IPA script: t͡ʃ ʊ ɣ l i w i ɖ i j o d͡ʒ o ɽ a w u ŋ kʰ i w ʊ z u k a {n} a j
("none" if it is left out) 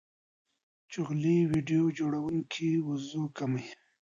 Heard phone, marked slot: m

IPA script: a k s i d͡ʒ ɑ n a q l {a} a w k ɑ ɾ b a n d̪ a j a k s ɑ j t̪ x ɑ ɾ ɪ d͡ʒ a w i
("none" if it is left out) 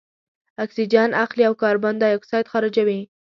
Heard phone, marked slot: i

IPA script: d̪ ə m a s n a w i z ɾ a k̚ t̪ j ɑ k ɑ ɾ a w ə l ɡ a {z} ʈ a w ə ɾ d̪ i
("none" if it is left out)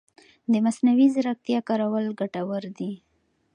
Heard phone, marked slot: none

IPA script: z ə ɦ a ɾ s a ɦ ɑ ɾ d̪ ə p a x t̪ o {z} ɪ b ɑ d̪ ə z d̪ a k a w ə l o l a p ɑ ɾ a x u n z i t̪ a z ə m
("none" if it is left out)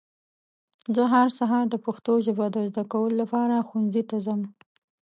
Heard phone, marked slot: ʒ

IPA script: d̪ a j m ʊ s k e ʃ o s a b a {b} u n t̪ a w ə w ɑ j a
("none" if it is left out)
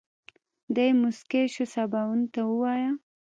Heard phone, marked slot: w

